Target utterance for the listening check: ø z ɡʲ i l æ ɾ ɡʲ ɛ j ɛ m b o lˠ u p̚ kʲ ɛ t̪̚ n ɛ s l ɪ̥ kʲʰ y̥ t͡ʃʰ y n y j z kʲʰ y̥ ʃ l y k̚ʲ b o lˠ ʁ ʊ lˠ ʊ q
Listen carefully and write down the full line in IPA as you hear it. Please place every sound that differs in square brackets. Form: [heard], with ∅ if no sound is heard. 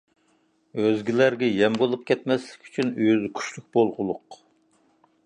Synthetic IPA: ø z ɡʲ i l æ ɾ ɡʲ ɛ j ɛ m b o lˠ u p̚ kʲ ɛ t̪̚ [m] ɛ s l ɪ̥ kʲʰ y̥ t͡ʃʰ y n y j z kʲʰ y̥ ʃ l y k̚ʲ b o lˠ ʁ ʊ lˠ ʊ q